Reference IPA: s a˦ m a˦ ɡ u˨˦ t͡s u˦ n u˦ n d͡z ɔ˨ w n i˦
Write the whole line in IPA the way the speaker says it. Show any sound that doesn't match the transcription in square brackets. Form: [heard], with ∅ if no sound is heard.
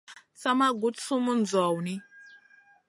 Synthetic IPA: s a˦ m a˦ ɡ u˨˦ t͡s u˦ [m] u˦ n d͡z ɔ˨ w n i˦